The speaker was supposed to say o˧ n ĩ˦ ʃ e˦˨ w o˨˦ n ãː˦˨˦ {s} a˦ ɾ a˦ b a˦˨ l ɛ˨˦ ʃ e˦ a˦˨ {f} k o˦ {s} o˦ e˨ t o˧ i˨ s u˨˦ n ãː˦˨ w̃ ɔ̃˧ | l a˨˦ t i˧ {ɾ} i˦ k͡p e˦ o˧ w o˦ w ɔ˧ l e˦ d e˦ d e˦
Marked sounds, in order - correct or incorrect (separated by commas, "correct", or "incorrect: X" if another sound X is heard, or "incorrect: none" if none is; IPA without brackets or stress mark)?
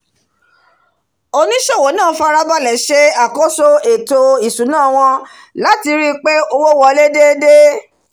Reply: incorrect: f, incorrect: none, correct, correct